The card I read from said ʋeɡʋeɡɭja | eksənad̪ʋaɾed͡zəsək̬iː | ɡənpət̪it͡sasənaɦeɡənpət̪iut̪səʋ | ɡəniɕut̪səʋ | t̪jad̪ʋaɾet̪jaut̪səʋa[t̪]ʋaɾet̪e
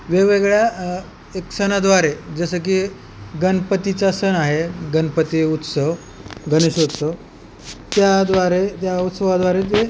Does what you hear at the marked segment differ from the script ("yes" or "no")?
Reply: yes